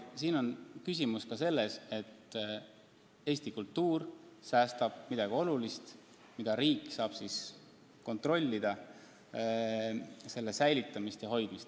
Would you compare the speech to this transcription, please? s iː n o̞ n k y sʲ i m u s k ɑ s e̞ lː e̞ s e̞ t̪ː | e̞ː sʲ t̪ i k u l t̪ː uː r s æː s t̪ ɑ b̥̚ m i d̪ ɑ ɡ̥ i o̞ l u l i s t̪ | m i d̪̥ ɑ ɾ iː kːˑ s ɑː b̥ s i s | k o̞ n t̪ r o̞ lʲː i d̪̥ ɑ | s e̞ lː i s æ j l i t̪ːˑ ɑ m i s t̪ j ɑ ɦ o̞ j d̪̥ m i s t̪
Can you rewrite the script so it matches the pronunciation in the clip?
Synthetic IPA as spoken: s iː n o̞ n k y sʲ i m u s k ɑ s e̞ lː e̞ s e̞ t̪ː | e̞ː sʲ t̪ i k u l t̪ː uː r s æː s t̪ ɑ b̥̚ m i d̪ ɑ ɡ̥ i o̞ l u l i s t̪ | m i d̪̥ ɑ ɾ iː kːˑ s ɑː b̥ s i s | k o̞ n t̪ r o̞ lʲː i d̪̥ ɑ | s e̞ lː e s æ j l i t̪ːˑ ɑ m i s t̪ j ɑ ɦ o̞ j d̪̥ m i s t̪